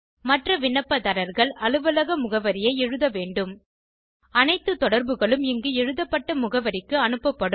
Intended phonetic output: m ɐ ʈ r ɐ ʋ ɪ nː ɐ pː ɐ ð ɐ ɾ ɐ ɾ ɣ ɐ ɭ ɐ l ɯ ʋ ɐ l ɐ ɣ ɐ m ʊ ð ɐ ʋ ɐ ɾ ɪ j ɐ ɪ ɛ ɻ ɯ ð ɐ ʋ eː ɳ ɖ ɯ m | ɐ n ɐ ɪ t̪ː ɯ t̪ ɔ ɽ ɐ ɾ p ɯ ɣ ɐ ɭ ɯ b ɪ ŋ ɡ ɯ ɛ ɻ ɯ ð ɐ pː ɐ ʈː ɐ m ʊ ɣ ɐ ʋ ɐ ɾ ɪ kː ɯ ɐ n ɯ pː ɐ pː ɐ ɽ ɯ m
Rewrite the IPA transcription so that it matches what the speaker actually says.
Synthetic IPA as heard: m ɐ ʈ r ɐ ʋ ɪ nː ɐ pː ɐ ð ɐ ɾ ɐ ɾ ɣ ɐ ɭ ɐ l ɯ ʋ ɐ l ɐ ɣ ɐ m ʊ ɣ ɐ ʋ ɐ ɾ ɪ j ɐ ɪ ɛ ɻ ɯ ð ɐ ʋ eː ɳ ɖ ɯ m | ɐ n ɐ ɪ t̪ː ɯ t̪ ɔ ɽ ɐ ɾ b ɯ ɣ ɐ ɭ ɯ m ɪ ŋ ɡ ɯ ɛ ɻ ɯ ð ɐ pː ɐ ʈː ɐ m ʊ ɣ ɐ ʋ ɐ ɾ ɪ kː ɯ ɐ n ɯ pː ɐ pː ɐ ɽ ɯ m